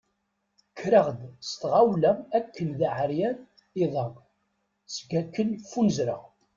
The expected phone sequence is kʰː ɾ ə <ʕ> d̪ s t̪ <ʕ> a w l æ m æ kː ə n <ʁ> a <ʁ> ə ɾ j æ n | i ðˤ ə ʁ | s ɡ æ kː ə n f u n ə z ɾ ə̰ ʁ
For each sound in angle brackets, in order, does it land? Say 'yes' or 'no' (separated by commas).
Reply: no, no, no, no